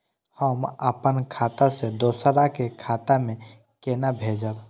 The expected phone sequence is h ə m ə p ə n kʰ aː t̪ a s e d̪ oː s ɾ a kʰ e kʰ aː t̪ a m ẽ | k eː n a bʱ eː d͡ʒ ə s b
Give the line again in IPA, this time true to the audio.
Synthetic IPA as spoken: h ə m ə p ə n kʰ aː t̪ a s e d̪ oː s ɾ a k e kʰ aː t̪ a m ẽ | k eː n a bʱ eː d͡ʒ ə b